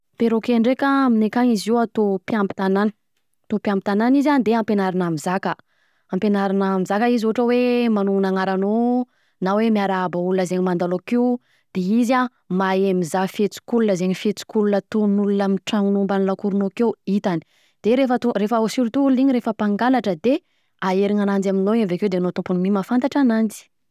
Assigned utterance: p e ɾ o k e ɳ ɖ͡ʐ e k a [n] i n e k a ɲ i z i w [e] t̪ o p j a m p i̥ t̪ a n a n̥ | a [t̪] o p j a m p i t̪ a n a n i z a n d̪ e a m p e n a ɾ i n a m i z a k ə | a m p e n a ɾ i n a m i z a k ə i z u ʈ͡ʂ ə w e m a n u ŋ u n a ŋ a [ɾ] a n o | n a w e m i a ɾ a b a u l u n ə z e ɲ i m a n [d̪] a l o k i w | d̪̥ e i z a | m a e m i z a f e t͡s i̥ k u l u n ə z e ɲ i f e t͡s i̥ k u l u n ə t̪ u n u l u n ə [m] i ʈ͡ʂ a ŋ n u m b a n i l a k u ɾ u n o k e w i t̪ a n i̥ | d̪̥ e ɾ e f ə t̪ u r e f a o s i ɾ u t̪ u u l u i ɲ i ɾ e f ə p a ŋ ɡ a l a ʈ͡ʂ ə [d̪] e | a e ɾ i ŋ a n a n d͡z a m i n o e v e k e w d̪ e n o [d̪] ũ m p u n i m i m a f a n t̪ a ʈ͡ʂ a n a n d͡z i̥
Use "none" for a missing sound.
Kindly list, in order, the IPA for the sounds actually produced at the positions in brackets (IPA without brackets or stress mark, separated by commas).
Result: m, a, t̪, ɾ, d̪, m, d̪, t̪